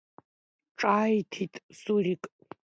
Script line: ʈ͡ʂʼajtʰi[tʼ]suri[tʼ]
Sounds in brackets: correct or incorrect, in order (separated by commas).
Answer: correct, incorrect